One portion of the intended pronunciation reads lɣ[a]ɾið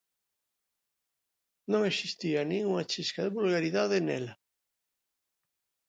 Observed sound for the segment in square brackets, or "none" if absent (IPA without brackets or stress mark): a